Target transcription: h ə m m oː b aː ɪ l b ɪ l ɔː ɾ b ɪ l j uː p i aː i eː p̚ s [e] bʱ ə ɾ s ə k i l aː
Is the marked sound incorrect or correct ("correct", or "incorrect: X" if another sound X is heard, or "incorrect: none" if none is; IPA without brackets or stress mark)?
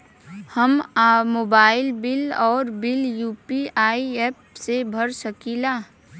correct